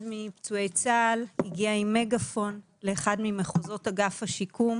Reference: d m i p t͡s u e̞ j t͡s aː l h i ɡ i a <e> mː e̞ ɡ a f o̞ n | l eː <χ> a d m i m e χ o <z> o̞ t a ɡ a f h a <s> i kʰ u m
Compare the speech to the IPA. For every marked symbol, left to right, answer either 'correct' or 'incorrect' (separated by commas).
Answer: incorrect, correct, correct, incorrect